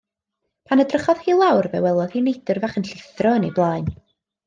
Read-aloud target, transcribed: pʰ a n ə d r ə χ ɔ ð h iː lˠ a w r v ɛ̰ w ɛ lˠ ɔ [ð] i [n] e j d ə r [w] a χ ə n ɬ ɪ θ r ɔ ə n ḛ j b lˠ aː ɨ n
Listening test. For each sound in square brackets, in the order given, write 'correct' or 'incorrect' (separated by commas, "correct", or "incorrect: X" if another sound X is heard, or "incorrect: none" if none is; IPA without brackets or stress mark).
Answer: correct, correct, incorrect: v